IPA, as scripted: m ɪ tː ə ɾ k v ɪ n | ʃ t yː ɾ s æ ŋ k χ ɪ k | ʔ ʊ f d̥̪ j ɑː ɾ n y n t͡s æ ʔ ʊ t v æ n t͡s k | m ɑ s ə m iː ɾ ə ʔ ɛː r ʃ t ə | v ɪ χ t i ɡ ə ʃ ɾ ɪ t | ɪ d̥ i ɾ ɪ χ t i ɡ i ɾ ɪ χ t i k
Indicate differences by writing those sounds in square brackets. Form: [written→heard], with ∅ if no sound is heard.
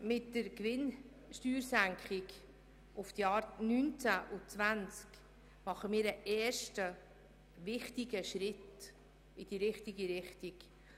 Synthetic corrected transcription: m ɪ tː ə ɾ k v ɪ n | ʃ t yː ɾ s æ ŋ k χ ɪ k | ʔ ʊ f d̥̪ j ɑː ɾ n y n t͡s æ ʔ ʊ [t→t͡s] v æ n t͡s k | m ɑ [s→χ] ə m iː ɾ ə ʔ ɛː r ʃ t ə | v ɪ χ t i ɡ ə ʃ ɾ ɪ t | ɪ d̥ i ɾ ɪ χ t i ɡ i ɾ ɪ χ t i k